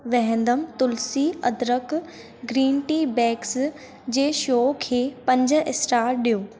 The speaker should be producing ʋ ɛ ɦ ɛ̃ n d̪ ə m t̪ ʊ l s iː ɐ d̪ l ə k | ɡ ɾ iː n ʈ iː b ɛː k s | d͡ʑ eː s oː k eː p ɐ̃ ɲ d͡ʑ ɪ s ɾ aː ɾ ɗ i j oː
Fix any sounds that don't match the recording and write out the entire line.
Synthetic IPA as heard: ʋ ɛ ɦ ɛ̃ n d̪ ə m t̪ ʊ l s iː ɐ d̪ ɾ ə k | ɡ ɾ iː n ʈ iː b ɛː k s | d͡ʑ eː ʃ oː kʰ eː p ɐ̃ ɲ d͡ʑ ɪ s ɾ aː ɾ ɗ i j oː